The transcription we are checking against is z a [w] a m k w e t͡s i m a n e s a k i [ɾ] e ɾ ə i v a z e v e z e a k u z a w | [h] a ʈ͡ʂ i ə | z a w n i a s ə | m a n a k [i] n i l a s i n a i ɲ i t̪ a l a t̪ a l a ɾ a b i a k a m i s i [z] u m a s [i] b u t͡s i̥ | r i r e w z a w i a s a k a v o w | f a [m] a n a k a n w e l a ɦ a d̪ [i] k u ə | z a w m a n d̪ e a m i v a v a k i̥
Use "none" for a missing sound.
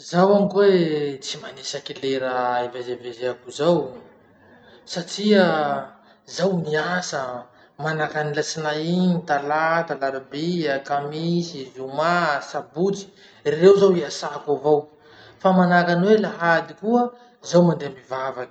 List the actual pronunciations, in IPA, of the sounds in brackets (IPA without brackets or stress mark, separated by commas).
w, l, s, a, z, a, m, i